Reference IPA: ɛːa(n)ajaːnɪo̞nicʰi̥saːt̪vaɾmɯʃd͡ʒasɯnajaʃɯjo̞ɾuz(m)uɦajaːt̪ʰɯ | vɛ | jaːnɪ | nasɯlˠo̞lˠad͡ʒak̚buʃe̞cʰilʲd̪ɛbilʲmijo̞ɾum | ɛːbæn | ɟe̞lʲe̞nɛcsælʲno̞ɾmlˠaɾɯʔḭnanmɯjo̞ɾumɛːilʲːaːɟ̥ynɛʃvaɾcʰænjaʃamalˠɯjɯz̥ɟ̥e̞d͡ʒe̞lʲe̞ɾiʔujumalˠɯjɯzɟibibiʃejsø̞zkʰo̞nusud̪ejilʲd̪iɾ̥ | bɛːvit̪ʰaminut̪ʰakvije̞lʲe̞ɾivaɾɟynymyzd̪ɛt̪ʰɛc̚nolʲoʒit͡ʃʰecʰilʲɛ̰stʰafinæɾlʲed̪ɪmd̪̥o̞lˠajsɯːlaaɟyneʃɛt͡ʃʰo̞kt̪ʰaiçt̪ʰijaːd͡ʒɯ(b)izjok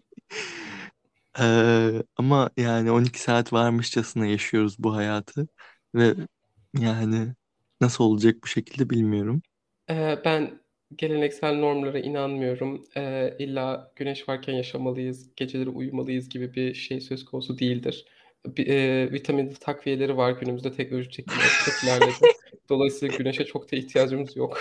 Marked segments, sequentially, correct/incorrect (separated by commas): incorrect, incorrect, incorrect